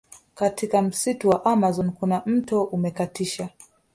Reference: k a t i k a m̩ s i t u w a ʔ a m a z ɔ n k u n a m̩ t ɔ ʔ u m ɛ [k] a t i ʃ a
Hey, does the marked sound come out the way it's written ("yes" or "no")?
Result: yes